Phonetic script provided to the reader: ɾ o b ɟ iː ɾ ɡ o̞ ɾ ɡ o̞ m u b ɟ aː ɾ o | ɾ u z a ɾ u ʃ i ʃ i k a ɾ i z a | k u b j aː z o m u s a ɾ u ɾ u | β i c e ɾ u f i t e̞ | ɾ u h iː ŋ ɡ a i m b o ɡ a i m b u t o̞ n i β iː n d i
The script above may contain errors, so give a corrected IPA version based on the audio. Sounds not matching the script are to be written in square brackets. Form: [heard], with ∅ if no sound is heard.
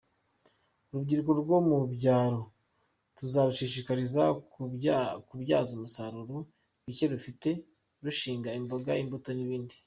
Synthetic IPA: ɾ [u] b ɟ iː ɾ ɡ o̞ ɾ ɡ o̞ m u b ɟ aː ɾ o | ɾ u z a ɾ u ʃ i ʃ i k a ɾ i z a | k u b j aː z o m u s a ɾ u ɾ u | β i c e ɾ u f i t e̞ | ɾ u [ʃ] iː ŋ ɡ a i m b o ɡ a i m b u t o̞ n i β iː n d i